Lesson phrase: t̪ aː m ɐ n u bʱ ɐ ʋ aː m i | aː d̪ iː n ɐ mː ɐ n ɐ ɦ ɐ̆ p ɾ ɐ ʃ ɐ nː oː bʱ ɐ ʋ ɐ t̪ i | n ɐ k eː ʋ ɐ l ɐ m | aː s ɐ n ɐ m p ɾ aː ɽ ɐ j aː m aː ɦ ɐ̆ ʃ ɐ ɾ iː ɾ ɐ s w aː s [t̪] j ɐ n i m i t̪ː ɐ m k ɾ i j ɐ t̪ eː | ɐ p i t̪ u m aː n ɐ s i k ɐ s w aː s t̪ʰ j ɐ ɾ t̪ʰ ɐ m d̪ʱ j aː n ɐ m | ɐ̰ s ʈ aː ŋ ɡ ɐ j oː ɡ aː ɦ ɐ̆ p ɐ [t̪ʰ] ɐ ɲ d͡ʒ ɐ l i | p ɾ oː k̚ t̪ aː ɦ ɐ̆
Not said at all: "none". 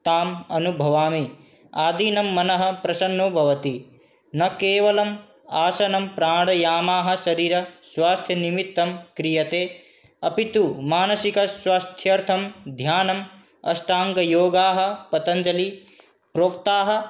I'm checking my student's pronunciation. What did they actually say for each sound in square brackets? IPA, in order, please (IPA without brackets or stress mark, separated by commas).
t̪ʰ, t̪